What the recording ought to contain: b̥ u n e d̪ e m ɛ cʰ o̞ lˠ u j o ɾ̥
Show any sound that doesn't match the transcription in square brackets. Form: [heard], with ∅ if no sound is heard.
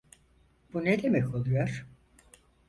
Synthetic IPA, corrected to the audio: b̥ u n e d̪ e m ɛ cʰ o̞ lˠ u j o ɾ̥